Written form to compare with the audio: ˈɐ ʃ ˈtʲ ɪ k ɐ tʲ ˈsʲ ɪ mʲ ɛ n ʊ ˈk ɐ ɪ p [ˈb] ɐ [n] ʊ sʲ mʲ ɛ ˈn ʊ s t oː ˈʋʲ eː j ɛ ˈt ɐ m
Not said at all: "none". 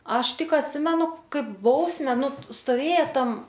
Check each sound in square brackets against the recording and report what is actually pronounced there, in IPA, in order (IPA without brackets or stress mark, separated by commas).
b, none